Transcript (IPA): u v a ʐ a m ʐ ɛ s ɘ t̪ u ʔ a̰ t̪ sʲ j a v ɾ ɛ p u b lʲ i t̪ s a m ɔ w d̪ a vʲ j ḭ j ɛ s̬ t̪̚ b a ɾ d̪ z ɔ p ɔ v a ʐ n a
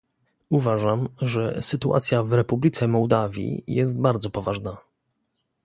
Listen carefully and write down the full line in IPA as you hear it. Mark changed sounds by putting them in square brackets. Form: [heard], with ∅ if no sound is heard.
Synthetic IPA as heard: u v a ʐ a m ʐ ɛ s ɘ t̪ u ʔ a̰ t̪ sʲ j a v ɾ ɛ p u b lʲ i t̪ s [ɛ] m ɔ w d̪ a vʲ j ḭ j ɛ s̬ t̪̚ b a ɾ d̪ z ɔ p ɔ v a ʐ n a